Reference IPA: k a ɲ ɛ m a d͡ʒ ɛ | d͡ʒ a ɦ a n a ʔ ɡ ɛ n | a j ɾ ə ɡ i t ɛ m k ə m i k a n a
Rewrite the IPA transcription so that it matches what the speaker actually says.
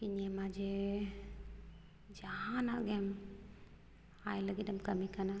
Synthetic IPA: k i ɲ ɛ m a d͡ʒ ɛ | d͡ʒ a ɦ a n a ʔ ɡ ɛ m | a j l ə ɡ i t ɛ m k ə m i k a n a